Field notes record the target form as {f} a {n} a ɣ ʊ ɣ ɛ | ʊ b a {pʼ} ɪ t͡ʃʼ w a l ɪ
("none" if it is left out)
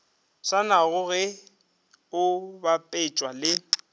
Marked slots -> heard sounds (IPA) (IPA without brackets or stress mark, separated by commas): s, n, pʼ